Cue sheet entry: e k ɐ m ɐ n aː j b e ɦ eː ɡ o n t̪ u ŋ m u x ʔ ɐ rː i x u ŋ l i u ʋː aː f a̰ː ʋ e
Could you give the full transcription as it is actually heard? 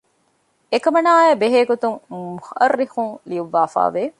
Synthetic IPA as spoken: e k ɐ m ɐ n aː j b e ɦ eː ɡ o t̪ u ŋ m u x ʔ ɐ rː i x u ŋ l i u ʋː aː f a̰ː ʋ e